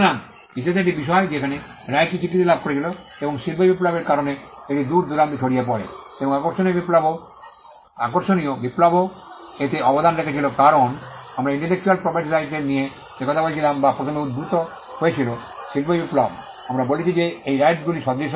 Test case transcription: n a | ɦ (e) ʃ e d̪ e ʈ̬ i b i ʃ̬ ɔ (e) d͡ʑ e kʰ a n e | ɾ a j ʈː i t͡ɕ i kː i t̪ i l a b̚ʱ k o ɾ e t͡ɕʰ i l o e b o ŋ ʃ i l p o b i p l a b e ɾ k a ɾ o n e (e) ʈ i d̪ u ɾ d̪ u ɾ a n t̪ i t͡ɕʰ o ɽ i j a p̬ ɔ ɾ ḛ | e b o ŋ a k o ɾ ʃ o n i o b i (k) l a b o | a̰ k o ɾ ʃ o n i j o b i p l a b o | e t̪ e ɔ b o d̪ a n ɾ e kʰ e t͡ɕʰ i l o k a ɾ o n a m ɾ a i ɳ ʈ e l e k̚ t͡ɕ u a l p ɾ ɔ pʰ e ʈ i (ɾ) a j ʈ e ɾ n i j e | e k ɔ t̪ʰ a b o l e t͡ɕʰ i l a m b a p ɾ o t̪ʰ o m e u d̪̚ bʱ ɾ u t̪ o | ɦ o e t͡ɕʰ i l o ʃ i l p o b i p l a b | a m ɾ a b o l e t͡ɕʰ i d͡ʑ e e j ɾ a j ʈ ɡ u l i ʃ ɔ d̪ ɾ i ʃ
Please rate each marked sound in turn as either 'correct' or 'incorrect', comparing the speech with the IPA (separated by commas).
incorrect, correct, correct, incorrect, correct